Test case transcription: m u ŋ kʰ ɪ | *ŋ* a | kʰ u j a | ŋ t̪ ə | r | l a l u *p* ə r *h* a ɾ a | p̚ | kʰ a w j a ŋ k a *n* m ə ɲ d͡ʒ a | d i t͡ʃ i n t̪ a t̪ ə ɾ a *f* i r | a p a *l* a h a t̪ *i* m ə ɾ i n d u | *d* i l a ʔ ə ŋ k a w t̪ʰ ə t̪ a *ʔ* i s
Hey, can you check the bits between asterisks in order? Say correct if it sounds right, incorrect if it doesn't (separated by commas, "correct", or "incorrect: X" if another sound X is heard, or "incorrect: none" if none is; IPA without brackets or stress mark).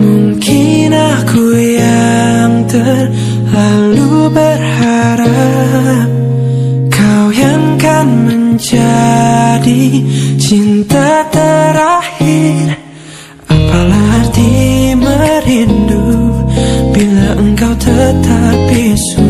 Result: incorrect: n, incorrect: b, correct, correct, incorrect: h, correct, correct, incorrect: b, incorrect: p